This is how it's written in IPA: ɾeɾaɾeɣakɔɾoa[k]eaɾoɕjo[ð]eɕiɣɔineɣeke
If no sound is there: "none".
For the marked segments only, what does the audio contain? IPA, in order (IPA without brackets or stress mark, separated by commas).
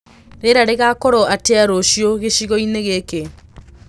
t, ɣ